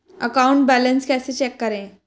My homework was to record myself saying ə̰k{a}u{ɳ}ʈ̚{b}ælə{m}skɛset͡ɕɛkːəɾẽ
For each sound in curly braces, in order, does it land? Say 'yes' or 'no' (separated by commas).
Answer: yes, yes, yes, no